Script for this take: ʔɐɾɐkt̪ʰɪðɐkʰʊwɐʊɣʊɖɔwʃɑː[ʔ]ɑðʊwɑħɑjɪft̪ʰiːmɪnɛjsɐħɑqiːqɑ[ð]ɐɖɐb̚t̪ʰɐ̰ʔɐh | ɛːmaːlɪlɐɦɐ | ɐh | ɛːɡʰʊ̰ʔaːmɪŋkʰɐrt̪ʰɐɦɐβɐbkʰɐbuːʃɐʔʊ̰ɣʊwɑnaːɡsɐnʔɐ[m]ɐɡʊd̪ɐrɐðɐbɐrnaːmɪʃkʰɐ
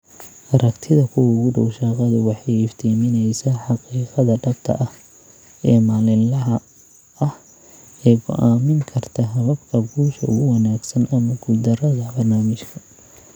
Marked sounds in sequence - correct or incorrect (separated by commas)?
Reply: incorrect, correct, correct